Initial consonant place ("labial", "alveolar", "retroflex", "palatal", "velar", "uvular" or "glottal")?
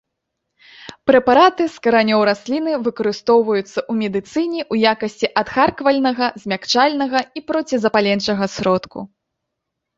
labial